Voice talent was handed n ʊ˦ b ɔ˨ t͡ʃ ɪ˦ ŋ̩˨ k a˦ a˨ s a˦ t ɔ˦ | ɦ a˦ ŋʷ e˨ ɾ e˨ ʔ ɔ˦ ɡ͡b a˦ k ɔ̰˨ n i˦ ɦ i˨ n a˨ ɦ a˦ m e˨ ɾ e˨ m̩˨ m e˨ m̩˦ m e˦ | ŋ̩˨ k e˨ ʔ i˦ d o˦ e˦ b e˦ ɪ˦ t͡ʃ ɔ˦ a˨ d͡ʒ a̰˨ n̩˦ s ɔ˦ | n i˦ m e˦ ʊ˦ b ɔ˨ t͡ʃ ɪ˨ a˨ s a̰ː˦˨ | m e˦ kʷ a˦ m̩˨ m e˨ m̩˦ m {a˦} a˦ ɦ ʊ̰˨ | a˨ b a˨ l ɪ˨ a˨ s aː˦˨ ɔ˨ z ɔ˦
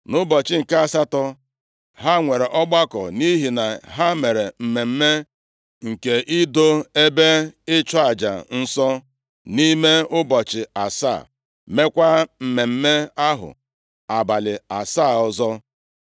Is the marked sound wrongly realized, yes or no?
yes